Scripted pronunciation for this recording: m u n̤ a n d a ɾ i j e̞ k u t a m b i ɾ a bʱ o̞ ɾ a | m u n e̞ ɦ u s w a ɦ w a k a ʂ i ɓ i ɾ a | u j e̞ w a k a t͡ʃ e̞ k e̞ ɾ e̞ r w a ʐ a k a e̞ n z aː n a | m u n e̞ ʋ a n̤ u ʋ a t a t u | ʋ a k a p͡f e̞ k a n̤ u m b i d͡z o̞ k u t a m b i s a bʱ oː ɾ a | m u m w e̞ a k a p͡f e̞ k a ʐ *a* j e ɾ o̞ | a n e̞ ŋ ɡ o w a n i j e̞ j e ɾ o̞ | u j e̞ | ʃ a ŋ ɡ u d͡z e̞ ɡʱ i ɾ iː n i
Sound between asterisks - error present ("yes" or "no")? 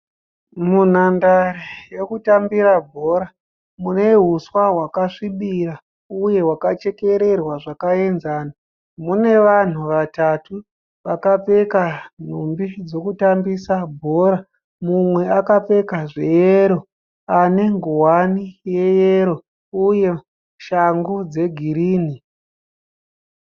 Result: yes